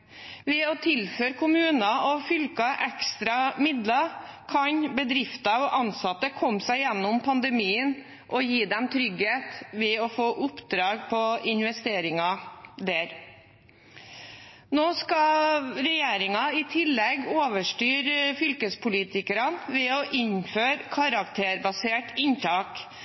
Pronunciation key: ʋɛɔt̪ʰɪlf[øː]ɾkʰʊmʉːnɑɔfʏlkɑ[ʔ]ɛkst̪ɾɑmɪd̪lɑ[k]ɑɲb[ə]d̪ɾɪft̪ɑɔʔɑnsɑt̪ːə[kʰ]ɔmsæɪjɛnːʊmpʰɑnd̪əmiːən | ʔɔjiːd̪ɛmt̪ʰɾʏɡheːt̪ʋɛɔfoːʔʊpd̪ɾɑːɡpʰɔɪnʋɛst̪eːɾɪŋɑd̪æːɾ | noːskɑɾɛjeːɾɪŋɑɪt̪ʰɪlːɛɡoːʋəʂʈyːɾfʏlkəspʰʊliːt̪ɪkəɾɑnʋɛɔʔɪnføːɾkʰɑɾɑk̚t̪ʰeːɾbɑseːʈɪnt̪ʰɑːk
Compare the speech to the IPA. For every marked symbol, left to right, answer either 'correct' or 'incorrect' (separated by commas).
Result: correct, correct, incorrect, correct, correct